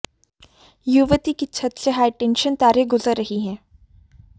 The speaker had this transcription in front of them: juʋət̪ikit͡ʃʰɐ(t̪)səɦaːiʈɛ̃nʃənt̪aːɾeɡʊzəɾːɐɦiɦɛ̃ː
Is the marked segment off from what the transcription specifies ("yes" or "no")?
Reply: no